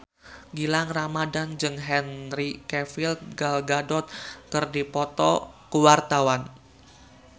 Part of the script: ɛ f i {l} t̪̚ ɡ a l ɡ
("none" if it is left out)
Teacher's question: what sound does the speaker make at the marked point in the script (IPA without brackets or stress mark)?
l